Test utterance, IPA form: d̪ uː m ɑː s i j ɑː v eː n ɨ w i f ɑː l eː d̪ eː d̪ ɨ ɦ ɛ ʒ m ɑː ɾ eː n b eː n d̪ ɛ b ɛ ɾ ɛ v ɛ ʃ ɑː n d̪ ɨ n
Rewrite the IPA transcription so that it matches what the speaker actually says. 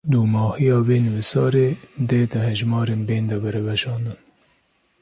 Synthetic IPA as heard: d̪ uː m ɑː h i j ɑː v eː n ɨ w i s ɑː ɾ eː d̪ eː d̪ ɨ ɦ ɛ ʒ m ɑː ɾ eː n b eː n d̪ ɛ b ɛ ɾ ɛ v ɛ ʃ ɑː n d̪ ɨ n